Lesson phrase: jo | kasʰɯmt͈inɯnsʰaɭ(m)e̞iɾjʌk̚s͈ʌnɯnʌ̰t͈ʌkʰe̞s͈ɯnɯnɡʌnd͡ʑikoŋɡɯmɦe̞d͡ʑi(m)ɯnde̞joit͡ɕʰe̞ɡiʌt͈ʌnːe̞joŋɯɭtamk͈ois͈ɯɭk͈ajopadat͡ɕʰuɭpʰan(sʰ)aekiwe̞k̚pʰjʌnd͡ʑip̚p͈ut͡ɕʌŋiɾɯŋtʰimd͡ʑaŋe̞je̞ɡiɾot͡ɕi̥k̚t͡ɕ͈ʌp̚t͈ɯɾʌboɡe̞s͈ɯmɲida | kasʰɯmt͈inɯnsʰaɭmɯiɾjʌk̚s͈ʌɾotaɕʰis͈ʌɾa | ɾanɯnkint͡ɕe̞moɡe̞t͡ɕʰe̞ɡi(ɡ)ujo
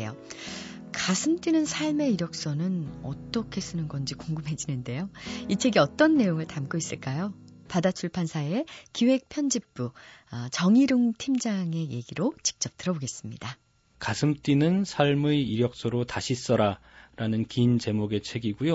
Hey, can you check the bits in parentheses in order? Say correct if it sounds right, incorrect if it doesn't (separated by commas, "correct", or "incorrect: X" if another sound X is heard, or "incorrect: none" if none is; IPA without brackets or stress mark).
correct, incorrect: n, correct, correct